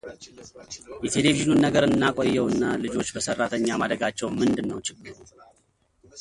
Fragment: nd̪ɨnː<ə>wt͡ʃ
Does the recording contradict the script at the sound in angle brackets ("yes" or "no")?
no